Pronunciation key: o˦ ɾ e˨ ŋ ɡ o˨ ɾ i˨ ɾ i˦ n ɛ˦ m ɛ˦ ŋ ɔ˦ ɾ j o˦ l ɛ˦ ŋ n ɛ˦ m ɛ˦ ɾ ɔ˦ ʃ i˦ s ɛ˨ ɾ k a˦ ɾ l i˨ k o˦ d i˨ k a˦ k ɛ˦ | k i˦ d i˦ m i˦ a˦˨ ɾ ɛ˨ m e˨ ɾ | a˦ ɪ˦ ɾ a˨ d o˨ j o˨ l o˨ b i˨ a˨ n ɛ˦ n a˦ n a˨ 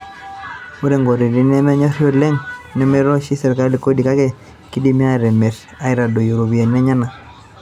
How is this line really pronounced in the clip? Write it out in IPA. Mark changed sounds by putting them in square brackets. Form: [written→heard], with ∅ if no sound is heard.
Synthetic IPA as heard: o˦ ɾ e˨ ŋ ɡ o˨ ɾ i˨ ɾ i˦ n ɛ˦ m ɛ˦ [ŋ→ɲ] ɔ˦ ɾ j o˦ l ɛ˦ ŋ n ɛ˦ m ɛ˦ ɾ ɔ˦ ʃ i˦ s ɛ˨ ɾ k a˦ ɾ l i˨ k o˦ d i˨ k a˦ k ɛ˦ | k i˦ d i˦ m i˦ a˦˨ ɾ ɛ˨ m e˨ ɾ | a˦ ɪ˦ ɾ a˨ d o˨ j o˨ [l→ɾ] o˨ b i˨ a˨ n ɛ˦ [n→ɲ] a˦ n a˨